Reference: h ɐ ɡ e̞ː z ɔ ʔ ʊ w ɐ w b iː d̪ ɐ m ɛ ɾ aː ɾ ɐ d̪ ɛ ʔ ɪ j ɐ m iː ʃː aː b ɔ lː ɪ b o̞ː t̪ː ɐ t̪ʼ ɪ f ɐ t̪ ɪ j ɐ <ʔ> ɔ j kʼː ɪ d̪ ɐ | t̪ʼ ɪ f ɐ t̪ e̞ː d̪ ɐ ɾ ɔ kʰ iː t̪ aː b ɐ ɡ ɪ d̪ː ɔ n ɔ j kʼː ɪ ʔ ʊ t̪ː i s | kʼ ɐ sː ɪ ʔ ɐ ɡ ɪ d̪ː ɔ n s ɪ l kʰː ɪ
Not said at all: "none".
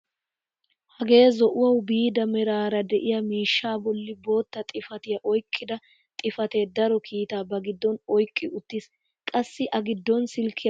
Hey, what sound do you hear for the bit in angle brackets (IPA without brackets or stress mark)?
ʔ